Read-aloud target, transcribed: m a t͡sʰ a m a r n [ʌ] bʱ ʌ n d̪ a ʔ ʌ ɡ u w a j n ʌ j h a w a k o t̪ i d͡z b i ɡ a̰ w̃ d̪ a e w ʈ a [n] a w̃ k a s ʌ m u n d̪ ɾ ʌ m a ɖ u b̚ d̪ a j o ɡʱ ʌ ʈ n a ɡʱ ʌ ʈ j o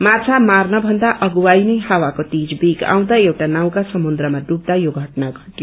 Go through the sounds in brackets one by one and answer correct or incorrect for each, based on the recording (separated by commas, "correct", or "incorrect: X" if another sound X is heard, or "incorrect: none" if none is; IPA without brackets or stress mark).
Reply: correct, correct